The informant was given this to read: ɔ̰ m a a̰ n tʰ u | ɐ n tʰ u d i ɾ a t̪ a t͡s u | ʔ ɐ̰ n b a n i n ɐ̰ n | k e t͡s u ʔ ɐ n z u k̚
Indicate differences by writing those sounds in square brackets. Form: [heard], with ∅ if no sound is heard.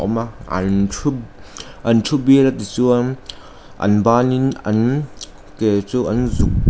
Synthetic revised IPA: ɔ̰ m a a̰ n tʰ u | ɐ n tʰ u [b] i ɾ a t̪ [i] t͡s u | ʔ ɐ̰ n b a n i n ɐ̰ n | k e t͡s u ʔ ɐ n z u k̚